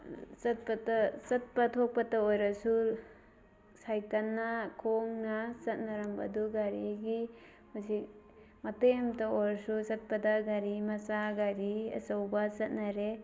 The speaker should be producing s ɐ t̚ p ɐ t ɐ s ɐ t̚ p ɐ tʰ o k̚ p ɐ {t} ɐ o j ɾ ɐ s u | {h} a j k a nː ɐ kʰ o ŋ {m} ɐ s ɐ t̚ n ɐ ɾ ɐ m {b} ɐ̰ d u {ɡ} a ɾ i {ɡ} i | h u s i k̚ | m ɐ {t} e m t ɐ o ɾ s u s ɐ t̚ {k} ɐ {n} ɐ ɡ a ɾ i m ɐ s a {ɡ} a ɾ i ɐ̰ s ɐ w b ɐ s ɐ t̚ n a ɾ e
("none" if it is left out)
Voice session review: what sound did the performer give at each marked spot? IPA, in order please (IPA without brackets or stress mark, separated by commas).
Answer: t, s, n, b, ɡ, ɡ, t, p, d, ɡ